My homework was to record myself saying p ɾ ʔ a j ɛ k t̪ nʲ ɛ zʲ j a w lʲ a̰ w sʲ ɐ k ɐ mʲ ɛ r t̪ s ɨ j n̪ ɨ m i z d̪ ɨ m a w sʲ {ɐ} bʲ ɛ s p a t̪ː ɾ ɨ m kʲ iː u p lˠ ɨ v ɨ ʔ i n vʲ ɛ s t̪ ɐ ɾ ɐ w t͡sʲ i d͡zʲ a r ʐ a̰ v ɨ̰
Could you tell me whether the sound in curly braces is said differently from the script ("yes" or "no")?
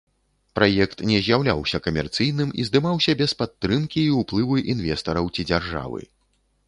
no